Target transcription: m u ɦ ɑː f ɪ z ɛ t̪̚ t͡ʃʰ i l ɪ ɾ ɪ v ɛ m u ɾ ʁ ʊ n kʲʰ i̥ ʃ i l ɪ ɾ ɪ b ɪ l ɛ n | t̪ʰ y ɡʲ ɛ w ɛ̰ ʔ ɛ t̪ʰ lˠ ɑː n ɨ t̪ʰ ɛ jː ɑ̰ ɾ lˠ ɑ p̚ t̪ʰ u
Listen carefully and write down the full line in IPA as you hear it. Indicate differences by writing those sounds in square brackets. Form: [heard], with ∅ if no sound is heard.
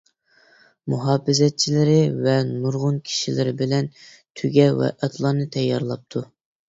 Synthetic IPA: m u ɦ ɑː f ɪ z ɛ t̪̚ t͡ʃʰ i l ɪ ɾ ɪ v ɛ [n] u ɾ ʁ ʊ n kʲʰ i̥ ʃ i l ɪ ɾ ɪ b ɪ l ɛ n | t̪ʰ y ɡʲ ɛ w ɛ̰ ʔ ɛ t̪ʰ lˠ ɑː n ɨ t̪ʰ ɛ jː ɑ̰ ɾ lˠ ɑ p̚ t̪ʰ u